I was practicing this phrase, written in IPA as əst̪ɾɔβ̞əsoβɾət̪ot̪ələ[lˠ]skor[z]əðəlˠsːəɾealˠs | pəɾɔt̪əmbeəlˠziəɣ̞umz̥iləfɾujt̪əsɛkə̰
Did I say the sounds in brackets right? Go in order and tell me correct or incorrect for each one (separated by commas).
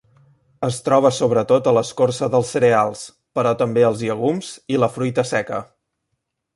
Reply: incorrect, incorrect